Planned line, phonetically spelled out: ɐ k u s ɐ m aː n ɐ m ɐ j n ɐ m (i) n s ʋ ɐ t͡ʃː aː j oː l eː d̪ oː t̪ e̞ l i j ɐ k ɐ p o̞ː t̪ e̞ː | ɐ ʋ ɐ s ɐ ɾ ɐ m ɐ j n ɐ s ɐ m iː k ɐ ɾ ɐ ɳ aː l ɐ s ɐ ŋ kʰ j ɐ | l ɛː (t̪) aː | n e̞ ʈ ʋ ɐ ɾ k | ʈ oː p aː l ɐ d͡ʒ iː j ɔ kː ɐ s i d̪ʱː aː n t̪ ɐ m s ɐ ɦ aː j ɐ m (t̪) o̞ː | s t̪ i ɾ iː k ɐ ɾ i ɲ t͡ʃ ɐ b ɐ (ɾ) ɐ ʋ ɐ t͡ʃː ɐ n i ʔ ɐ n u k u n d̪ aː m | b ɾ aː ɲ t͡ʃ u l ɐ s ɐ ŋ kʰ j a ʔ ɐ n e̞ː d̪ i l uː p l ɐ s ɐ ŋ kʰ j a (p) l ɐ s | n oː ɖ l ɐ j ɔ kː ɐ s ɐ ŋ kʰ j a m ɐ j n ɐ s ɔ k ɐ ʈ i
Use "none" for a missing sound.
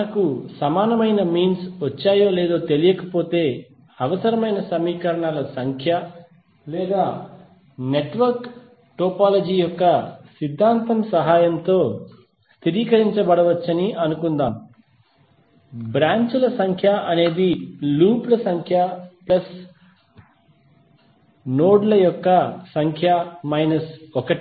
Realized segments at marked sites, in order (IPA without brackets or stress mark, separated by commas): iː, d̪, t̪, ɽ, p